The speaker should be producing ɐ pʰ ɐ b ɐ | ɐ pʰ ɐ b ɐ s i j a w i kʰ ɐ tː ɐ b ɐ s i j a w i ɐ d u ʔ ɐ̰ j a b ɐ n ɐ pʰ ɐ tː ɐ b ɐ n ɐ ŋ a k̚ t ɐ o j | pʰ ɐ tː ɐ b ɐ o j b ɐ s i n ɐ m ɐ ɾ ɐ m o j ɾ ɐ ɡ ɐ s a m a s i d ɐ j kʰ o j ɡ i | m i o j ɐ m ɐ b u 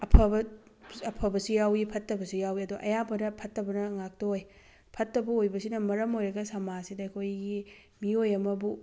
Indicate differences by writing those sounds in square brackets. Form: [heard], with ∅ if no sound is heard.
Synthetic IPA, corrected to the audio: ɐ pʰ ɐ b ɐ | ɐ pʰ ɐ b ɐ s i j a w i [pʰ] ɐ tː ɐ b ɐ s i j a w i ɐ d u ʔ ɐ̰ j a b ɐ n ɐ pʰ ɐ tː ɐ b ɐ n ɐ ŋ a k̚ t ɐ o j | pʰ ɐ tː ɐ b ɐ o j b ɐ s i n ɐ m ɐ ɾ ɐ m o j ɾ ɐ ɡ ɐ s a m a s i d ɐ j kʰ o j ɡ i | m i o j ɐ m ɐ b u

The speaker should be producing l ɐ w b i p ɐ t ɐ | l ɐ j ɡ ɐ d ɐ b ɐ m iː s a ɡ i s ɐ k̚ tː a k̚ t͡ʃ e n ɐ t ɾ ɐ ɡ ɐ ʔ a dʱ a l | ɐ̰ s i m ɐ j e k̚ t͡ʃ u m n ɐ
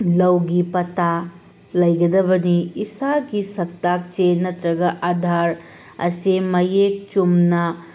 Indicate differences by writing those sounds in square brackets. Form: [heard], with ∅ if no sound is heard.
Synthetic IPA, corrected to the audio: l ɐ w [ɡ] i p ɐ t [a] | l ɐ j ɡ ɐ d ɐ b ɐ [n] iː s a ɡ i s ɐ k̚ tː a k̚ t͡ʃ e n ɐ t ɾ ɐ ɡ ɐ ʔ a dʱ a [ɾ] | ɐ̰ s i m ɐ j e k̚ t͡ʃ u m n ɐ

